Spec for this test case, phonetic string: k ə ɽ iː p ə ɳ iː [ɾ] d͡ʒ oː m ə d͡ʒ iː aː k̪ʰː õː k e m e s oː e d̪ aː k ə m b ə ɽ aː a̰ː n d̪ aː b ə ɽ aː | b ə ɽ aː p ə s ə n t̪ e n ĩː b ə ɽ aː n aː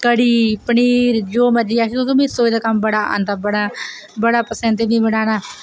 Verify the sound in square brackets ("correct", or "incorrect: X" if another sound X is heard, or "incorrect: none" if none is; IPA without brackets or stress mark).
correct